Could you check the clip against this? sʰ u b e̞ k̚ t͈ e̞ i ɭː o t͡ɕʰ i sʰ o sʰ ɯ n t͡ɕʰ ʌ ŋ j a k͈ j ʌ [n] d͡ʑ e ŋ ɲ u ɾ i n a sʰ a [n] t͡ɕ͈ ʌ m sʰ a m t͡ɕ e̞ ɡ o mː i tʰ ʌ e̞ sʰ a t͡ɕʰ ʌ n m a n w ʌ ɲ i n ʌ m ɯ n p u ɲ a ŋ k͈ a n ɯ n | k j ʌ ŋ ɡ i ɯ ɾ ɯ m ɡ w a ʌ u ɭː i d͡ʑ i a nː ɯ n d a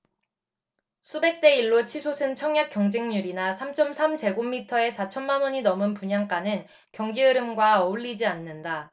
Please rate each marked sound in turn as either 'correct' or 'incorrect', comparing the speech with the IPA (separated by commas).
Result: incorrect, incorrect